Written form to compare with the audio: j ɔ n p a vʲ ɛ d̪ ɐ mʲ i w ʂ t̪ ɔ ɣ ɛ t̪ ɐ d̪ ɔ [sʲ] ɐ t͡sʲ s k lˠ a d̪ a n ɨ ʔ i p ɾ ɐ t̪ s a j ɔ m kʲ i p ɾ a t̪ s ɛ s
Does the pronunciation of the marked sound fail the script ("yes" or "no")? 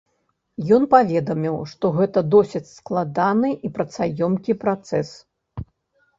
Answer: no